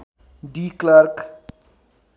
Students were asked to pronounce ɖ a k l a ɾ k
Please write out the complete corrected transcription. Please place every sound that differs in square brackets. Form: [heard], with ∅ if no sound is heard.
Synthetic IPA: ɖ [i] k l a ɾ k